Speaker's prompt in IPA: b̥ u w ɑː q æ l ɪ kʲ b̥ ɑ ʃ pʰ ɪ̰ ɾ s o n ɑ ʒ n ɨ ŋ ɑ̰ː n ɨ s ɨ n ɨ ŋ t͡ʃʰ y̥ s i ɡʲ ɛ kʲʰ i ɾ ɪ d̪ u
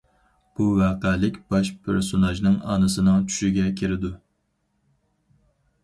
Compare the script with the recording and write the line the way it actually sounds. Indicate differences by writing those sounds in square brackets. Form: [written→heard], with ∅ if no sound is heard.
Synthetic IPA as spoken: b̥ u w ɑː q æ l ɪ kʲ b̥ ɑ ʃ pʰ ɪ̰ ɾ s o n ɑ ʒ n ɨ ŋ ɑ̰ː n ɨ s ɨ n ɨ ŋ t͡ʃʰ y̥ [s→ʃ] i ɡʲ ɛ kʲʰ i ɾ ɪ d̪ u